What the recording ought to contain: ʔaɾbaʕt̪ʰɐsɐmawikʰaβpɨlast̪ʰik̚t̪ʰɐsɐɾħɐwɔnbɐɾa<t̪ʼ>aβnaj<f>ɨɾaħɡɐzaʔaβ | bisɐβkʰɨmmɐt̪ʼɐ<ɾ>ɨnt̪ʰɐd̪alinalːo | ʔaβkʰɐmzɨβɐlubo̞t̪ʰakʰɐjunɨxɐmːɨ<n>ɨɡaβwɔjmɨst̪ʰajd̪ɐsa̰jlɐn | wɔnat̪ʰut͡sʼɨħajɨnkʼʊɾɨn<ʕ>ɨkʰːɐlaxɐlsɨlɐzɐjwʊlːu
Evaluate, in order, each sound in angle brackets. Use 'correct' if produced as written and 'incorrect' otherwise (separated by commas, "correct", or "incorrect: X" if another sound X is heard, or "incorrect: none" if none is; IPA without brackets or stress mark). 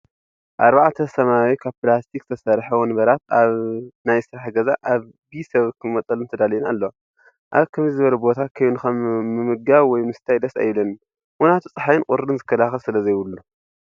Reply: incorrect: t̪, incorrect: s, incorrect: l, incorrect: m, incorrect: z